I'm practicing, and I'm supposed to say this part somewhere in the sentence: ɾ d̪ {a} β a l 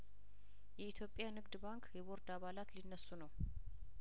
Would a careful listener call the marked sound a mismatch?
no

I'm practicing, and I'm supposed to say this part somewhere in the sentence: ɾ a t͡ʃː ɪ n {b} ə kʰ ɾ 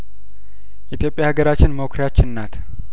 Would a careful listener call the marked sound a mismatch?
yes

